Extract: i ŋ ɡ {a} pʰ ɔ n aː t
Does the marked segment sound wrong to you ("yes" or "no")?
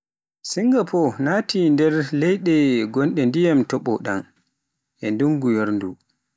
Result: no